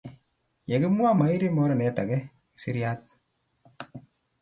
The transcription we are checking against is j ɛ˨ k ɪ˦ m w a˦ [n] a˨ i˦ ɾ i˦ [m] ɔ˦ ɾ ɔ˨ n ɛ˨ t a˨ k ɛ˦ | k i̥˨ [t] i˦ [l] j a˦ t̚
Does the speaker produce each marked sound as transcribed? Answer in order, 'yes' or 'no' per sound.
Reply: no, yes, no, no

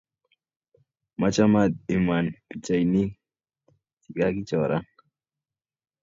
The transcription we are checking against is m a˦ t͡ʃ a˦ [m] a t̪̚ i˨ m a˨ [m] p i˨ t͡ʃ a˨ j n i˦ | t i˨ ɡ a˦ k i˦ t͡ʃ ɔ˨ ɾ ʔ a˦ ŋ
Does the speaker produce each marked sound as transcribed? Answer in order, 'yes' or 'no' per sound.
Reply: yes, no

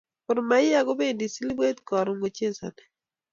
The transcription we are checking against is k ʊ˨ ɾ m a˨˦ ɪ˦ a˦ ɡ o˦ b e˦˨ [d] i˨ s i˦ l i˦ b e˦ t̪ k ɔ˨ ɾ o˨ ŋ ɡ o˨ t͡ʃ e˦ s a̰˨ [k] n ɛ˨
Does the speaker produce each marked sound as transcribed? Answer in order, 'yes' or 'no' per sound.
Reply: yes, no

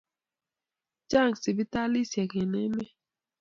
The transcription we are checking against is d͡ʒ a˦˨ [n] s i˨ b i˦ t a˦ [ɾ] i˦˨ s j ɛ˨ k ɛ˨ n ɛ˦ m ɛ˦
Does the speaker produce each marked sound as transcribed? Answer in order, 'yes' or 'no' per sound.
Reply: no, no

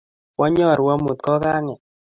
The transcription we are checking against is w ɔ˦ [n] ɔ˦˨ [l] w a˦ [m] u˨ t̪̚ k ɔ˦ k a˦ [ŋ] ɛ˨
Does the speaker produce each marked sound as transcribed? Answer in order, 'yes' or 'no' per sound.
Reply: no, no, yes, yes

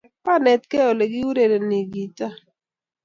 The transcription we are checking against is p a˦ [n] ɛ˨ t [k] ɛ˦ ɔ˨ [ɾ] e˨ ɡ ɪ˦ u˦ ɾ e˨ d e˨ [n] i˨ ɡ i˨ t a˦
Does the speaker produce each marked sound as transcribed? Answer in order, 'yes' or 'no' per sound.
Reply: yes, yes, no, yes

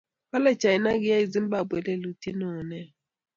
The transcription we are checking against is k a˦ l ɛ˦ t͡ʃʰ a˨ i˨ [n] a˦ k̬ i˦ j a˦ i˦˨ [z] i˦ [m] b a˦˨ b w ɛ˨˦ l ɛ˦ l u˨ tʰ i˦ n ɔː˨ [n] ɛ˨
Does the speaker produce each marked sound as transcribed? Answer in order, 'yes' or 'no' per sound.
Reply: yes, yes, yes, yes

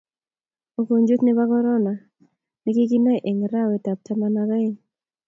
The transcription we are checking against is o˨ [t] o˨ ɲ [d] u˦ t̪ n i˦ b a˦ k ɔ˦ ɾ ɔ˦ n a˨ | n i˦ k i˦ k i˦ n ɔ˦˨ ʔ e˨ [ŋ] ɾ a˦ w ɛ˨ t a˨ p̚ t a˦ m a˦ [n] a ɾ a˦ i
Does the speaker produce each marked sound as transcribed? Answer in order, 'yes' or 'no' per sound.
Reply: no, no, yes, yes

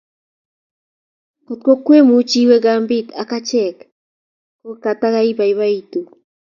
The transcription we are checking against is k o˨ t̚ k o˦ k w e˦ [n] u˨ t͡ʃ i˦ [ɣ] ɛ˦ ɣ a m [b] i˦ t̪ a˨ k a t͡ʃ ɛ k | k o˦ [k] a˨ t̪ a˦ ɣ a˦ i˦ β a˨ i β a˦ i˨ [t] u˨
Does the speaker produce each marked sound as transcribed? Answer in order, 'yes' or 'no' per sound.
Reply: no, no, yes, yes, yes

